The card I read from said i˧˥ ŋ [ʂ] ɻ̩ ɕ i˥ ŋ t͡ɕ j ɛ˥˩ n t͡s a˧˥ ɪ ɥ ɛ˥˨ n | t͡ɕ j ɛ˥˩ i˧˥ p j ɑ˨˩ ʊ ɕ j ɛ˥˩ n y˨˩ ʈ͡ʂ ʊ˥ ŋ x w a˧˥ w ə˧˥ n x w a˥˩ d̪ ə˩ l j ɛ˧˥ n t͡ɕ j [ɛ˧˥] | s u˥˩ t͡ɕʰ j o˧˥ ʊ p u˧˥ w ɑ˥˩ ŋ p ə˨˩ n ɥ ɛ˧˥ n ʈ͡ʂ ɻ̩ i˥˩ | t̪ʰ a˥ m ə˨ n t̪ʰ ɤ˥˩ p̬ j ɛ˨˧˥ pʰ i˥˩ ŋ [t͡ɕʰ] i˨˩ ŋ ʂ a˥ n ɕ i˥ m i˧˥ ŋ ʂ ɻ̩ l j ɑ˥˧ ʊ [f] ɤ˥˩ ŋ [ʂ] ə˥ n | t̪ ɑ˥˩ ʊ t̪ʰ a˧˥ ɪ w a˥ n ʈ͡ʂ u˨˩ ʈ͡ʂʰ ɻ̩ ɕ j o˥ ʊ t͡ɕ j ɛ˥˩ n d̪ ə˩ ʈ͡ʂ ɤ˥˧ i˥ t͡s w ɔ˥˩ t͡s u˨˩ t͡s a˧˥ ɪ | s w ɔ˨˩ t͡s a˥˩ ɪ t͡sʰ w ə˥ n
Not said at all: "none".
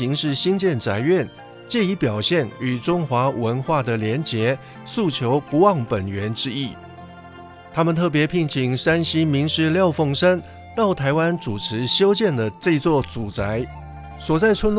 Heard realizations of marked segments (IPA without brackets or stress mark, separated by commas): ʂ, ɛ˧˥, t͡ɕʰ, f, ʂ